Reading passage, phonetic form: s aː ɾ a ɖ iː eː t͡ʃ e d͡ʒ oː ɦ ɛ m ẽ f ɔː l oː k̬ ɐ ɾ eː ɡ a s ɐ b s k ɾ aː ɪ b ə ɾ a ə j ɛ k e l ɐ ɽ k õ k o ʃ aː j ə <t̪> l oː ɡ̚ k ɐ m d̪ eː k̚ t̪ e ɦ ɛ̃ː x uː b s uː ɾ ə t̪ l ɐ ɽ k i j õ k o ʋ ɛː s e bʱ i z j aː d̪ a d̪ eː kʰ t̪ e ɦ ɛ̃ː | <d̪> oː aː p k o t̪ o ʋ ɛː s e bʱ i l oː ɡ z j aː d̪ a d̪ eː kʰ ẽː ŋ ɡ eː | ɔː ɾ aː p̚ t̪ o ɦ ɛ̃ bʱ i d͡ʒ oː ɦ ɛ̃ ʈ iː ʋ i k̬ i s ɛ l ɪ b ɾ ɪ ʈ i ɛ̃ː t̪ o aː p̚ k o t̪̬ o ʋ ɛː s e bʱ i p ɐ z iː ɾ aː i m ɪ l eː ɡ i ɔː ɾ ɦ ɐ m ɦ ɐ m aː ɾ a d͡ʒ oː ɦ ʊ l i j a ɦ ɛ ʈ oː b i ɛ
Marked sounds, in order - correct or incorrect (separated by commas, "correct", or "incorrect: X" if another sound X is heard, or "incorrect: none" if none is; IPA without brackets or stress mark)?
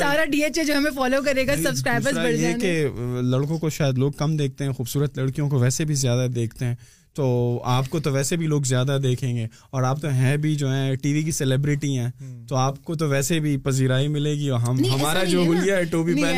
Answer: incorrect: d̪, incorrect: t̪